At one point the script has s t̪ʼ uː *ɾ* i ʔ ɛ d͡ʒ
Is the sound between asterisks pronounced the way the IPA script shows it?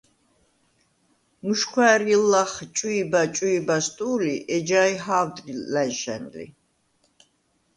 no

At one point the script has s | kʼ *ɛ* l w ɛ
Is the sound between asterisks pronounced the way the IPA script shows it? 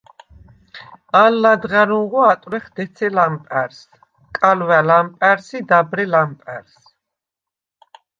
no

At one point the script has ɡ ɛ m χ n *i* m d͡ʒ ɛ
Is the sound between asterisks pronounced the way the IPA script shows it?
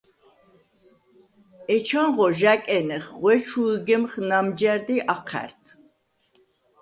no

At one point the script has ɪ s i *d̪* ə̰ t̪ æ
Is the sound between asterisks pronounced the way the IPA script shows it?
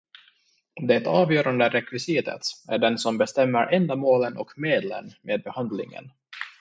no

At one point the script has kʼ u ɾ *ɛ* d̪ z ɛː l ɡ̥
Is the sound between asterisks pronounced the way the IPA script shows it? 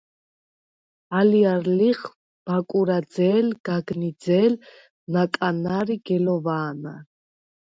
no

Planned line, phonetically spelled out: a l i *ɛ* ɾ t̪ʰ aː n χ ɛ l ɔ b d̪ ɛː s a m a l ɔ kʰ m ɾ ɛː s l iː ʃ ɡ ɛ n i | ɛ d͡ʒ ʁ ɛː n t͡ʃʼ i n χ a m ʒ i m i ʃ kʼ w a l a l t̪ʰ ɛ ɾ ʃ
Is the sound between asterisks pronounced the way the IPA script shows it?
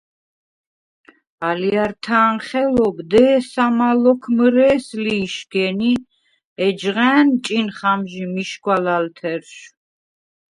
no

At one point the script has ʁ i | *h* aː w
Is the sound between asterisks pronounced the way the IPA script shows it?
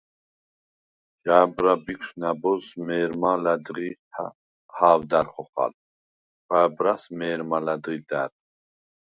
yes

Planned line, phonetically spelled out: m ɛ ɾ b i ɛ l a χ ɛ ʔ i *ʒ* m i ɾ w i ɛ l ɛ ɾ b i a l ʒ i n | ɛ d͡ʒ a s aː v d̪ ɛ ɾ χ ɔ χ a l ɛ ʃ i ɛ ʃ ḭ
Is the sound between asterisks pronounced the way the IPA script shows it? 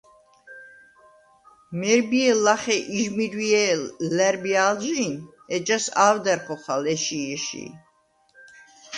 yes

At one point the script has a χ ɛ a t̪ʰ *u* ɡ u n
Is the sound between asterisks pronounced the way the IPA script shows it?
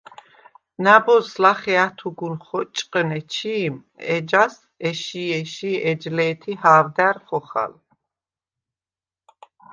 yes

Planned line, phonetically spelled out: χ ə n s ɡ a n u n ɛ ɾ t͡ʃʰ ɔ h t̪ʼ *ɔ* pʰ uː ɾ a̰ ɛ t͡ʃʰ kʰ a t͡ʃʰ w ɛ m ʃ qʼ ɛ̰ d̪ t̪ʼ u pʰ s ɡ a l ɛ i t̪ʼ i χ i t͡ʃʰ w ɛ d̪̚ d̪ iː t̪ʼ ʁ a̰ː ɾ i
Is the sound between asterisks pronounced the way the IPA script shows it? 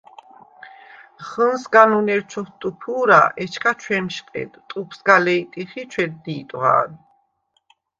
no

